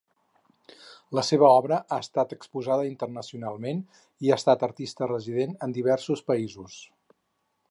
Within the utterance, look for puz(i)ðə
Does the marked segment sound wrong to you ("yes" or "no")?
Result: yes